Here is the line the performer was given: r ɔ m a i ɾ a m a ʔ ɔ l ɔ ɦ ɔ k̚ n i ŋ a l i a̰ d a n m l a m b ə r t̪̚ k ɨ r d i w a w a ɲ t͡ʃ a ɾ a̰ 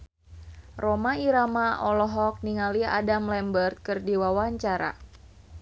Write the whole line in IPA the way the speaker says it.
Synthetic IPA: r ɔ m a i ɾ a m a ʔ ɔ l ɔ ɦ ɔ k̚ n i ŋ a l i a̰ d a m l ɛ m b ə r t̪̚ k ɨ r d i w a w a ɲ t͡ʃ a ɾ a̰